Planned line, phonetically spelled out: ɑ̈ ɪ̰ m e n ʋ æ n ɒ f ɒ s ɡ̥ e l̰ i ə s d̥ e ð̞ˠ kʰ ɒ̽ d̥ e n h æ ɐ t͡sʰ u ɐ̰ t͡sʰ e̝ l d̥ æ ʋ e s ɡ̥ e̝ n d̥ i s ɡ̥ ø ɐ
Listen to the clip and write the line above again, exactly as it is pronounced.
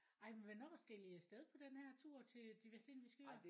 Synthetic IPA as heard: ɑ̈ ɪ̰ m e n ʋ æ n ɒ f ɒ s ɡ̥ e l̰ i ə s d̥ e ð̞ˠ pʰ ɒ̽ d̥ e n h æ ɐ t͡sʰ u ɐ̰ t͡sʰ e̝ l d̥ i ʋ e s d̥ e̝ n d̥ i s ɡ̥ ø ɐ